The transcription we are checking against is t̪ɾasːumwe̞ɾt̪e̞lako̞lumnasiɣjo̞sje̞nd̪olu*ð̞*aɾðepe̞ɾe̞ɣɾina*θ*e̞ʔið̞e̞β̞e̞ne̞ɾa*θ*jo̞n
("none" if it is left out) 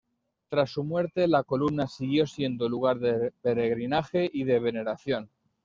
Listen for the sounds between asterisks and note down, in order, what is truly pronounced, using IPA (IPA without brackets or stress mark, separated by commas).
ɣ̞, x, θ